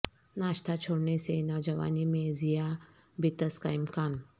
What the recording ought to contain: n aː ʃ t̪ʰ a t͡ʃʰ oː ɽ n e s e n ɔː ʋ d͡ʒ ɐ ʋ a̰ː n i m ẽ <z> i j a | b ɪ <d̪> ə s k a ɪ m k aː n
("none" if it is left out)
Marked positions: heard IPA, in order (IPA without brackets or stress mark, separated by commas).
z, t̪